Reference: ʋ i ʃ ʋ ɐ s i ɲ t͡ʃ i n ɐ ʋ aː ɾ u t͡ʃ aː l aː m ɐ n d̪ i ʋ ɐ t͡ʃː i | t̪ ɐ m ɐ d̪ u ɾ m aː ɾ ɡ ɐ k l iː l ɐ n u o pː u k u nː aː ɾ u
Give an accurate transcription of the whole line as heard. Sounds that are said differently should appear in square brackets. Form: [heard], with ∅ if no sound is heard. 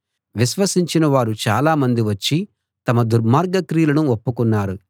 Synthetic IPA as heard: ʋ i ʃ ʋ ɐ s i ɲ t͡ʃ i n ɐ ʋ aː ɾ u t͡ʃ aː l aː m ɐ n d̪ i ʋ ɐ t͡ʃː i | t̪ ɐ m ɐ d̪ u ɾ m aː ɾ ɡ ɐ k [ɾ] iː l ɐ n u o pː u k u nː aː ɾ u